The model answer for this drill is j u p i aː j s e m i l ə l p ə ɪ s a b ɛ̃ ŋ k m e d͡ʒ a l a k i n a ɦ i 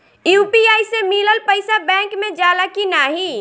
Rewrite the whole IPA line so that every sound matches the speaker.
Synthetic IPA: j u p i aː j s e m i l ə l p ə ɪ s a b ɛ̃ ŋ k m e d͡ʒ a l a k i n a ɦ i